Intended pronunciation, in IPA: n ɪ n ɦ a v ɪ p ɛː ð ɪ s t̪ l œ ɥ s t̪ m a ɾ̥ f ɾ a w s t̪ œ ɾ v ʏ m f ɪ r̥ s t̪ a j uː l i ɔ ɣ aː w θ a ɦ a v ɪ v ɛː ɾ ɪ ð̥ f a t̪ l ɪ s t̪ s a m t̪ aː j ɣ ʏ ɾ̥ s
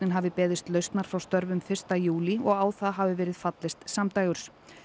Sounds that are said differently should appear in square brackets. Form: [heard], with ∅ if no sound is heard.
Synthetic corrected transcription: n ɪ n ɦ a v ɪ p ɛː ð ɪ s t̪ l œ ɥ s t̪ [n] a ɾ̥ f ɾ a w s t̪ œ ɾ v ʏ m f ɪ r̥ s t̪ a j uː l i ɔ ɣ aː w θ a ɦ a v ɪ v ɛː ɾ ɪ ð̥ f a t̪ l ɪ s t̪ s a m t̪ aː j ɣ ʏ ɾ̥ s